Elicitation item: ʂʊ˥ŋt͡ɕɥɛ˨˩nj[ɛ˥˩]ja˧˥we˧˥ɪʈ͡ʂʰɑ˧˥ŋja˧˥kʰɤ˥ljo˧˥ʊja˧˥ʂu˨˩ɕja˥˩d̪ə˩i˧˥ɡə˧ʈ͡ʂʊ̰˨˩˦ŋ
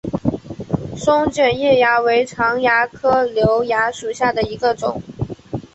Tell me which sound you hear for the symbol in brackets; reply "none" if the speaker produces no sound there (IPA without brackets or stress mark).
ɛ˥˩